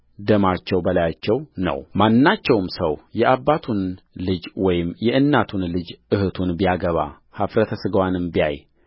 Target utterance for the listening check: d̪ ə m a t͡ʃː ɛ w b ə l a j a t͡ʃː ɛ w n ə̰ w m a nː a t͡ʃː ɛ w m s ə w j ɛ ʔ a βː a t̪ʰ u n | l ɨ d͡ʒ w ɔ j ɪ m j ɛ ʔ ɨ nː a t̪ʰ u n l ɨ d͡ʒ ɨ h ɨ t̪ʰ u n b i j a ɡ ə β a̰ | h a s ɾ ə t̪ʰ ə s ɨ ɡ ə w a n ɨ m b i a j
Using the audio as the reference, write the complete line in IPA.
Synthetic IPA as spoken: d̪ ə m a t͡ʃː ɛ w b ə l a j a t͡ʃː ɛ w n ə̰ w m a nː a t͡ʃː ɛ w m s ə w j ɛ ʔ a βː a t̪ʰ u n | l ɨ d͡ʒ w ɔ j ɪ m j ɛ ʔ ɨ nː a t̪ʰ u n l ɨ d͡ʒ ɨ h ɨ t̪ʰ u n b i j a ɡ ə β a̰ | h a f ɾ ə t̪ʰ ə s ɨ ɡ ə w a n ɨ m b i a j

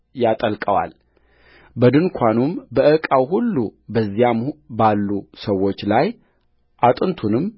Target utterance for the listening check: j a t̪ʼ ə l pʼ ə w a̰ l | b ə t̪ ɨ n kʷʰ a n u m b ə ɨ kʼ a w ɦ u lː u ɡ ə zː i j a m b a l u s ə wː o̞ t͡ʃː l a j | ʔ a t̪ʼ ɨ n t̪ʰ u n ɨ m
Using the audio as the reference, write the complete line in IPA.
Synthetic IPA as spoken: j a t̪ʼ ə l kʼ ə w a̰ l | b ə d̪ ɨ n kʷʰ a n u m b ə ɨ kʼ a w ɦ u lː u b ə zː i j a m b a lː u s ə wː o̞ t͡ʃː l a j | ʔ a t̪ʼ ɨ n t̪ʰ u n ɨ m

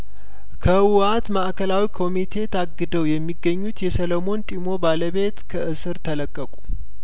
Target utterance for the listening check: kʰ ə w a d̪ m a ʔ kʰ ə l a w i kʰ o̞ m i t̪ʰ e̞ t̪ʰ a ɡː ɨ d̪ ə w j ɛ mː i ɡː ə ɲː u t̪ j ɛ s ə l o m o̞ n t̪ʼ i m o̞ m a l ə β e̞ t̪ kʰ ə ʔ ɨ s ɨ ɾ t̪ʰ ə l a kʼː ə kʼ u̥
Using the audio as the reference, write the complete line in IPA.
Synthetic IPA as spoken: kʰ ə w a t̪ m a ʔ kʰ ə l a w i kʰ o̞ m i t̪ʰ e̞ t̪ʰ a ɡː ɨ d̪ ə w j ɛ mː i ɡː ə ɲː u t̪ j ɛ s ə l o m o̞ n t̪ʼ i m o̞ b a l ə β e̞ t̪ kʰ ə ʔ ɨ s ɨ ɾ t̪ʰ ə l ə kʼː ə kʼ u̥

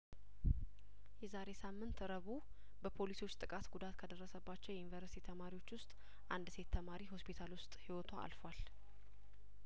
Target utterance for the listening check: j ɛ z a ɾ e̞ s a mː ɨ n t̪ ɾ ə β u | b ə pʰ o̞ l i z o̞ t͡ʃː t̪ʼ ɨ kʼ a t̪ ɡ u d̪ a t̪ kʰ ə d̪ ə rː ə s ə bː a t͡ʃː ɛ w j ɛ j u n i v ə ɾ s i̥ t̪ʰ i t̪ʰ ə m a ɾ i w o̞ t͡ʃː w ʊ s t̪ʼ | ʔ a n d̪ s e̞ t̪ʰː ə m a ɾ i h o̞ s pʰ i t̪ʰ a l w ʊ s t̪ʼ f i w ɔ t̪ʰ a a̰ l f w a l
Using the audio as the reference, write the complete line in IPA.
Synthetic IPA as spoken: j ɛ z a ɾ e̞ s a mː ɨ n t̪ ɾ ə β u | b ə pʰ o̞ l i s o̞ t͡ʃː t̪ʼ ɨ kʼ a t̪ ɡ u d̪ a t̪ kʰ ə d̪ ə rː ə s ə bː a t͡ʃː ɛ w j ɛ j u n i v ə ɾ s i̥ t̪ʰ i t̪ʰ ə m a ɾ i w o̞ t͡ʃː w ʊ s t̪ʼ | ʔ a n d̪ s e̞ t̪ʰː ə m a ɾ i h o̞ s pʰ i t̪ʰ a l w ʊ s t̪ʼ h i w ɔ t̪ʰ a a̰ l f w a l

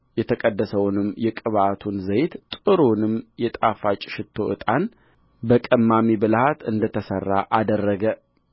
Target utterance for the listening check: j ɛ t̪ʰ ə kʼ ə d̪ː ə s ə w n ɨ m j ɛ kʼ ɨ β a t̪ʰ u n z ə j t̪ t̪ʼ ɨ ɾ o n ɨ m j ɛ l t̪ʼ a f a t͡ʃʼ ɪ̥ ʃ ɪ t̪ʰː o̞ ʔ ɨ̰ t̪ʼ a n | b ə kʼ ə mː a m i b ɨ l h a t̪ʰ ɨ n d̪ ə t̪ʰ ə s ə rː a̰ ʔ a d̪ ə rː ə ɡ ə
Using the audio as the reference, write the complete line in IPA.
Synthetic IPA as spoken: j ɛ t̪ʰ ə kʼ ə d̪ː ə s ə w n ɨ m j ɛ kʼ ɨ β a t̪ʰ u n z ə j t̪ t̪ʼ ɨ ɾ o n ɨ m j ɛ t̪ʼ a f a t͡ʃʼ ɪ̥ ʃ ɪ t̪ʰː o̞ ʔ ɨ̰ t̪ʼ a n | b ə kʼ ə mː a m i b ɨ l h a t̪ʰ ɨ n d̪ ə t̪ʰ ə s ə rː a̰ ʔ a d̪ ə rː ə ɡ ə

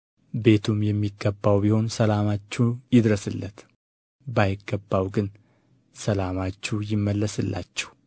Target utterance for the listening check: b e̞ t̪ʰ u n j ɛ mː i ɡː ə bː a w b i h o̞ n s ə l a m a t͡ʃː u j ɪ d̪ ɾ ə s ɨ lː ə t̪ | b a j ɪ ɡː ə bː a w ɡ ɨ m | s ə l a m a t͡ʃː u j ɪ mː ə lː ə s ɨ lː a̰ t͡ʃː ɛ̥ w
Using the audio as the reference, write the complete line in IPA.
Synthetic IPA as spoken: b e̞ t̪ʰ u m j ɛ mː i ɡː ə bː a w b i h o̞ n s ə l a m a t͡ʃː u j ɪ d̪ ɾ ə s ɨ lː ə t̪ | b a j ɪ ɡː ə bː a w ɡ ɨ n | s ə l a m a t͡ʃː u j ɪ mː ə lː ə s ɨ lː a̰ t͡ʃː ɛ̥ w

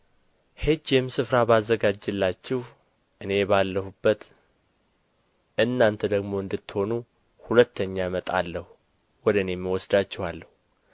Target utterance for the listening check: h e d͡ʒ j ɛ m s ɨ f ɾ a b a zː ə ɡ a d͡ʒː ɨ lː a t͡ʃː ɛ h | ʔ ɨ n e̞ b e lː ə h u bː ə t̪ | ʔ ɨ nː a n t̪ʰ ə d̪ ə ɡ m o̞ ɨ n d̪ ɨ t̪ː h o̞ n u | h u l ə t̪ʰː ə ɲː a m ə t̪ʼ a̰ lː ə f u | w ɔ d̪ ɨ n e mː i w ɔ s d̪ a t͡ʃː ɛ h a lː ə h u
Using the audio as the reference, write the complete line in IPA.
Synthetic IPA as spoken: h e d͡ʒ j ɛ m s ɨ f ɾ a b a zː ə ɡ a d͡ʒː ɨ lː a t͡ʃː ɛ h | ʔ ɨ n e̞ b a lː ə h u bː ə t̪ | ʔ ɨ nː a n t̪ʰ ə d̪ ə ɡ m o̞ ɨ n d̪ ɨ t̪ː h o̞ n u | h u l ə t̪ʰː ə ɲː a m ə t̪ʼ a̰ lː ə h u | w ɔ d̪ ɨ n e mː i w ɔ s d̪ a t͡ʃː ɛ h a lː ə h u

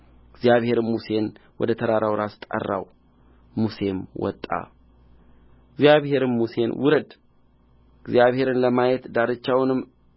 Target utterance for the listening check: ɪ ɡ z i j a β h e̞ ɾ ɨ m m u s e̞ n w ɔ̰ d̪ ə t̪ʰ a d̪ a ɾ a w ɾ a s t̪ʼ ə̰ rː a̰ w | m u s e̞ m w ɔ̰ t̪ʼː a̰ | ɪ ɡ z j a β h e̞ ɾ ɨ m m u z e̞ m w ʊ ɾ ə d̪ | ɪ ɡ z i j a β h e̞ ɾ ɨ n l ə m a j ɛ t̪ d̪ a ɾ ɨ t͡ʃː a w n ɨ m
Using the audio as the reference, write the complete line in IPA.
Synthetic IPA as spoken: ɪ ɡ z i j a β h e̞ ɾ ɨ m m u s e̞ n w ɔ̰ d̪ ə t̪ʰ ə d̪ a ɾ a w ɾ a s t̪ʼ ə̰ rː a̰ w | m u s e̞ m w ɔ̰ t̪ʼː a̰ | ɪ ɡ z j a β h e̞ ɾ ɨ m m u s e̞ n w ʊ ɾ ə d̪ | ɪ ɡ z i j a β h e̞ ɾ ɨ n l ə m a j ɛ t̪ d̪ a ɾ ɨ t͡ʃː a w n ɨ m

